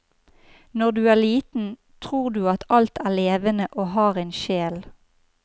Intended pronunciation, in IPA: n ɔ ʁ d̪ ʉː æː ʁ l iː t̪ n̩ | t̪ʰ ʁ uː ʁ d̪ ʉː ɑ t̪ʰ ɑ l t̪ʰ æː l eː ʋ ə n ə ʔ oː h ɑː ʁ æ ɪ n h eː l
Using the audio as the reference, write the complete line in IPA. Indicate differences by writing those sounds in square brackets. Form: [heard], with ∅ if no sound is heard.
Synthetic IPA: n ɔ ʁ d̪ ʉː æː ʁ l iː t̪ n̩ | t̪ʰ ʁ uː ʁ d̪ ʉː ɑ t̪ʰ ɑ l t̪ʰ æː l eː ʋ ə n ə ʔ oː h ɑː ʁ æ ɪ n [ʃ] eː l